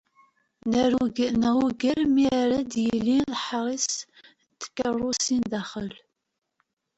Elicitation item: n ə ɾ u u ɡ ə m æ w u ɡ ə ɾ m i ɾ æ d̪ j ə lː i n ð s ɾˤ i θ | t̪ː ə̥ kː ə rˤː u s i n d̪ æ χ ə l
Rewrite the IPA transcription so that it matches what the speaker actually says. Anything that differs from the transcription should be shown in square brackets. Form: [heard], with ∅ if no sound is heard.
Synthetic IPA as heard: n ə ɾ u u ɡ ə [n] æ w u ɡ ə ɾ m i ɾ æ d̪ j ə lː i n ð [ħ] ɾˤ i [s] | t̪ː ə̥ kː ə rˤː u s i n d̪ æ χ ə l